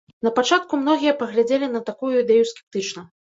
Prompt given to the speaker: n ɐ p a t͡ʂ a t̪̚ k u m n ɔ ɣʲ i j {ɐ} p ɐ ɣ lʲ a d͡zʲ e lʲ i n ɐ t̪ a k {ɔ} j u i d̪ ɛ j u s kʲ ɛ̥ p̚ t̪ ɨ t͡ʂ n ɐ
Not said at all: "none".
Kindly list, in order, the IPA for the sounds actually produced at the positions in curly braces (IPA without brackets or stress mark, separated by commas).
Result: ɐ, u